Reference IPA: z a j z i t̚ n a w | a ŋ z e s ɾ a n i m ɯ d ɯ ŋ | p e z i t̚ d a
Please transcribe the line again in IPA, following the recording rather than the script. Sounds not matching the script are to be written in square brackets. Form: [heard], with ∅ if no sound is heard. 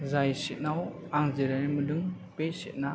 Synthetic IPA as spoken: z a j [s] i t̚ n a w | a ŋ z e [∅] ɾ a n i m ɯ d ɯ ŋ | p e [s] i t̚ [n] a